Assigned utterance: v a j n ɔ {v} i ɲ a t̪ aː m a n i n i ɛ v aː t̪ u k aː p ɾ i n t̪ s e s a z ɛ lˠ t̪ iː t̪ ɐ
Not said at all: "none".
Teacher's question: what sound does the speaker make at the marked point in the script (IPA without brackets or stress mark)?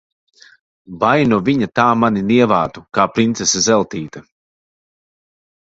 v